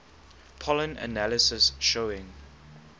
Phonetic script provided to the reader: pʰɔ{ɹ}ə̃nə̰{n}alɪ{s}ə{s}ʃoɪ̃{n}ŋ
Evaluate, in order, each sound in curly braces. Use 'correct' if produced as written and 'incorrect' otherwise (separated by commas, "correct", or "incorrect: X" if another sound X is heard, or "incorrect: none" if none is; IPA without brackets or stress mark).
incorrect: l, correct, correct, correct, incorrect: none